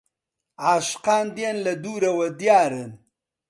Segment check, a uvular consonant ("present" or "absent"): present